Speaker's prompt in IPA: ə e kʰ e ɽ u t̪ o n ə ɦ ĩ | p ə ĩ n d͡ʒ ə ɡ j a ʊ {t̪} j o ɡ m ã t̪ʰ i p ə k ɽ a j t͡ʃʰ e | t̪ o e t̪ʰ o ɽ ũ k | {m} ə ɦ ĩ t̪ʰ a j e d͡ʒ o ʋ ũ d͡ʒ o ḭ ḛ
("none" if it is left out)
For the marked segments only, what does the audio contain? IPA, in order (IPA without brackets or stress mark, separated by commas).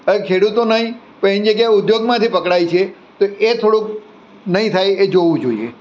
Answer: d̪, n